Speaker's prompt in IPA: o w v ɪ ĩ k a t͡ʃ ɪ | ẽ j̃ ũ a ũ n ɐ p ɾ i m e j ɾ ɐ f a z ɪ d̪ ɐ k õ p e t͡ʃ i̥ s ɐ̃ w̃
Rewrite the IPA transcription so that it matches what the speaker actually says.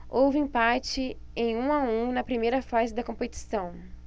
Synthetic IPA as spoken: o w v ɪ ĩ p a t͡ʃ ɪ | ẽ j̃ ũ a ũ n ɐ p ɾ i m e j ɾ ɐ f a z ɪ d̪ ɐ k õ p e t͡ʃ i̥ s ɐ̃ w̃